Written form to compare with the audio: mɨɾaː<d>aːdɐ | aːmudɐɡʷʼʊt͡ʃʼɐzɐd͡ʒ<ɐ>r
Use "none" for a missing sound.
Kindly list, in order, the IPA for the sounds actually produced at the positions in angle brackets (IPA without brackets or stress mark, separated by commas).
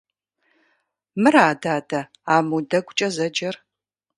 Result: d, ɐ